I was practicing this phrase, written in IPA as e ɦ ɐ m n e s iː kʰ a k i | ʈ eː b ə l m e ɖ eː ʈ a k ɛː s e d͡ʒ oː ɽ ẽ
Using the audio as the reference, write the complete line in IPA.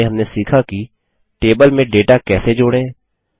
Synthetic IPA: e ɦ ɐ m n e s iː kʰ a k i | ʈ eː b ə l m ẽ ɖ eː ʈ a k ɛː s e d͡ʒ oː ɽ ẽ

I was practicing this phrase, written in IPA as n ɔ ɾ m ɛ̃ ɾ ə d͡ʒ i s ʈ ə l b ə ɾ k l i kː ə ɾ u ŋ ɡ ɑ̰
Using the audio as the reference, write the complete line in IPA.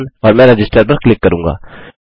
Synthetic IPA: n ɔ ɾ m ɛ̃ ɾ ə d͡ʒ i s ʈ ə ɾ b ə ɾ k l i kː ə ɾ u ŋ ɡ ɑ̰

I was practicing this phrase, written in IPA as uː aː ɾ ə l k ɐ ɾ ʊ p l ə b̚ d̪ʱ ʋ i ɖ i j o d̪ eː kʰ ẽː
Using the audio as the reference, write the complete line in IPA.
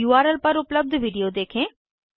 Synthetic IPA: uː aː ɾ ə l p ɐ ɾ ʊ p l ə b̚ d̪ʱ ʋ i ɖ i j o d̪ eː kʰ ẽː

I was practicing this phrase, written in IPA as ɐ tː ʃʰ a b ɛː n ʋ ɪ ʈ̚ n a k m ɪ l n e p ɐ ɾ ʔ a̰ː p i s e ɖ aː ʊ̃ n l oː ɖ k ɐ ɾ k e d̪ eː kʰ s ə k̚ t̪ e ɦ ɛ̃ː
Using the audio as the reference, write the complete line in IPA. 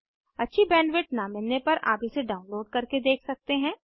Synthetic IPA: ɐ tː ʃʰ i b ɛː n ʋ ɪ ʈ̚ n a m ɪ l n e p ɐ ɾ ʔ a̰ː p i s e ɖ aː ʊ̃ n l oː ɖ k ɐ ɾ k e d̪ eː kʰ s ɐ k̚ t̪ e ɦ ɛ̃ː

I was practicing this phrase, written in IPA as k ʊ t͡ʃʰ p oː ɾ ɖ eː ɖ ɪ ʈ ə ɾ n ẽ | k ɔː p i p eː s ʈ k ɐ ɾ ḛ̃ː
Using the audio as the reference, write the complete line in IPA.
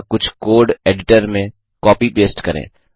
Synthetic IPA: k ʊ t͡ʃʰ k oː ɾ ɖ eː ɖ ɪ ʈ ə ɾ m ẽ | k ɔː p i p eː s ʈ k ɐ ɾ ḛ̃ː

